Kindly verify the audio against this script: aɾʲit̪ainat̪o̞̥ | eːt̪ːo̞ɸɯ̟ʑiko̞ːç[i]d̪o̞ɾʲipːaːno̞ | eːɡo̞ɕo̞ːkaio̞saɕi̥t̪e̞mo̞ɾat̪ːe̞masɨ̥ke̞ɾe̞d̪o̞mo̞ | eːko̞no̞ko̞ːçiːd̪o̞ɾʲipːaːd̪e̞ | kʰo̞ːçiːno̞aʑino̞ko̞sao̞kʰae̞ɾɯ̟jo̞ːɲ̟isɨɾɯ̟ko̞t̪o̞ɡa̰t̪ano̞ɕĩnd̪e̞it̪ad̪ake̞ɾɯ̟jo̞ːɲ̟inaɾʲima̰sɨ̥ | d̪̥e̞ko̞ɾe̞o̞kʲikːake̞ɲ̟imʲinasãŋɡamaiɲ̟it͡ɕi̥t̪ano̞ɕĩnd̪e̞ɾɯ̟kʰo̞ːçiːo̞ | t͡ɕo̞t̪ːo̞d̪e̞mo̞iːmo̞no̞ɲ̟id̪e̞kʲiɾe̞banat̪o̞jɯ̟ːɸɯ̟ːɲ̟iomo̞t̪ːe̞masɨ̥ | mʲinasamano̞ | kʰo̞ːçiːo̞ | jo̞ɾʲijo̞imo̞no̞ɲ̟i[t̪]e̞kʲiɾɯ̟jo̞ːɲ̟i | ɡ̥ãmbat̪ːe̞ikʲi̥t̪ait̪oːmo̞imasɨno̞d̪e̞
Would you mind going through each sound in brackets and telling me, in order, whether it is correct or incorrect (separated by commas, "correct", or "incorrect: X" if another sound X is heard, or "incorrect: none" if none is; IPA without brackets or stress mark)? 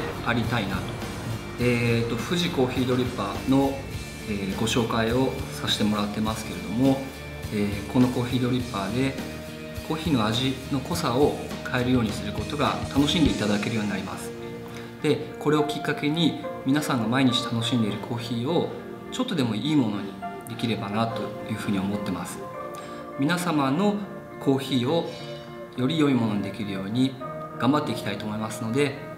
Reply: incorrect: iː, incorrect: d̪